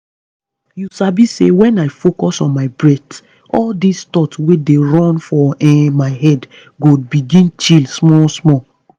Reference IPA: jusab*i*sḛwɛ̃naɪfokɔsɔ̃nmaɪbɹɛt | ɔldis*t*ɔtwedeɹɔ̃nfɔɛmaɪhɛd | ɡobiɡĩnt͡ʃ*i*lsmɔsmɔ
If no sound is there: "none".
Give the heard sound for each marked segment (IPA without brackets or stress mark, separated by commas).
i, t, i